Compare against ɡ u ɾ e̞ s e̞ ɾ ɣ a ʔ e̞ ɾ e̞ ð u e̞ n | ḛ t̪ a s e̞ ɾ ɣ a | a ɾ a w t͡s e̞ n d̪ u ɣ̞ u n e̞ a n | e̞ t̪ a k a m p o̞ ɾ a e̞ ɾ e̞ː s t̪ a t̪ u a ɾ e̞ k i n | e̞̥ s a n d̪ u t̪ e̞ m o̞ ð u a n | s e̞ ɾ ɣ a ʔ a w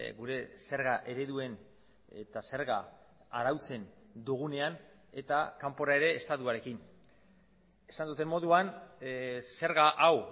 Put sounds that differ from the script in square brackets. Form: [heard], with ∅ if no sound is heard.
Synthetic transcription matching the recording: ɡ u ɾ e̞ s e̞ ɾ ɣ a ʔ e̞ ɾ e̞ ð u e̞ n | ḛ t̪ a s e̞ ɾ ɣ a | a ɾ a w t͡s e̞ n d̪ u ɣ̞ u n e̞ a n | e̞ t̪ a k a m p o̞ ɾ a e̞ ɾ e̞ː s t̪ a t̪ u a ɾ e̞ k i n | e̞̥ s a n d̪ u t̪ e̞ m o̞ ð u a n | s e̞ ɾ ɣ a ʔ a w